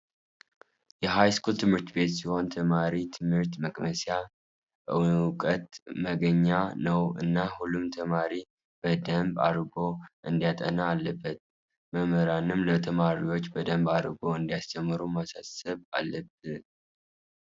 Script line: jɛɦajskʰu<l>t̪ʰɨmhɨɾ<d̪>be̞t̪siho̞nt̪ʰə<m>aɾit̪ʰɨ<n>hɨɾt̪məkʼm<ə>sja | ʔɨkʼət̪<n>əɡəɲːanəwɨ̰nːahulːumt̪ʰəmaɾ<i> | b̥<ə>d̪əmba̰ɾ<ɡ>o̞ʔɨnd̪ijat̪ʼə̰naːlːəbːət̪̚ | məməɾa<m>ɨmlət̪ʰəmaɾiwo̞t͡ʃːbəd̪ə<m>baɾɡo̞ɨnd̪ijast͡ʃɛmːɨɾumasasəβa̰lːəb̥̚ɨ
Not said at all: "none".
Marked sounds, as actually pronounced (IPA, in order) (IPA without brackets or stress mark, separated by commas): l, t̪, m, m, ə, m, i, ə, ɡ, n, m